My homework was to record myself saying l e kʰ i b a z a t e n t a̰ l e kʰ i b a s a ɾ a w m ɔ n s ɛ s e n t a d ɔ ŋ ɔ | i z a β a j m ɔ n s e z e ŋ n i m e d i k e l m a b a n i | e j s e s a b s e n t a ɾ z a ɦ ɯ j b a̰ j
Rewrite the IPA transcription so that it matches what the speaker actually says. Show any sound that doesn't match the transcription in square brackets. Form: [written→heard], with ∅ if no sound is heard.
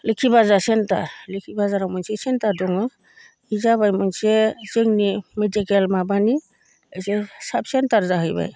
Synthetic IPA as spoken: l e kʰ i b a z a [t→s] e n t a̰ l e kʰ i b a [s→z] a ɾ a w m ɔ n s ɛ s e n t a d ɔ ŋ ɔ | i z a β a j m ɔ n s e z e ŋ n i m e d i k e l m a b a n i | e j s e s a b s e n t a ɾ z a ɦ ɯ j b a̰ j

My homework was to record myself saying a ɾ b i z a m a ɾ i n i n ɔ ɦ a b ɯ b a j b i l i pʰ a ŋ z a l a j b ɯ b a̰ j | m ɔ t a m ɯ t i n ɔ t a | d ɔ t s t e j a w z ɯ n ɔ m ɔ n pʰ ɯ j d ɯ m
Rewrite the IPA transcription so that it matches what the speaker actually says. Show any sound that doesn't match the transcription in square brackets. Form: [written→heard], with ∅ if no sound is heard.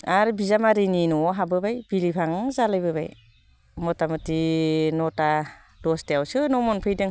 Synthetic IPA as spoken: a ɾ b i z a m a ɾ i n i n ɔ ɦ a b ɯ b a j b i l i pʰ a ŋ z a l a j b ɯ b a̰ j | m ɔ t a m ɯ t i n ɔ t a | d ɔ [t→∅] s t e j a w [z→s] ɯ n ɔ m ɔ n pʰ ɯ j d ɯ [m→ŋ]

